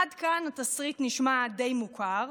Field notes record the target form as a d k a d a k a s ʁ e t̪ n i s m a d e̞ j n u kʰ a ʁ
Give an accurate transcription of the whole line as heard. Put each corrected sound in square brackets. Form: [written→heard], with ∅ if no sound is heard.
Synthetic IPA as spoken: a d k a [d→n] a [k→t] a s ʁ [e→i] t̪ n i [s→ʃ] m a d e̞ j [n→m] u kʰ a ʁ